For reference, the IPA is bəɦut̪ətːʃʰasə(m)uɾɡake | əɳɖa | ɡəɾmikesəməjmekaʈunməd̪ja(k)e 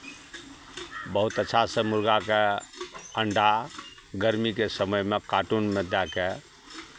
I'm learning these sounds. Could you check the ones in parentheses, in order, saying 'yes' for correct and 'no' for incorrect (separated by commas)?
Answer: yes, yes